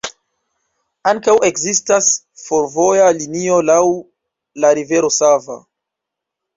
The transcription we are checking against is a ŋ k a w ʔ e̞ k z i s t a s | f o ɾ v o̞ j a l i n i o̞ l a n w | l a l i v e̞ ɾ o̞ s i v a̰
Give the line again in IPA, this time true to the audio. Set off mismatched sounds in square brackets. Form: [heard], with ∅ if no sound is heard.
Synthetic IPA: a ŋ k a w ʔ e̞ k z i s t a s | f o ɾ v o̞ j a l i n i o̞ l a [∅] w | l a [ɾ] i v e̞ ɾ o̞ s [a] v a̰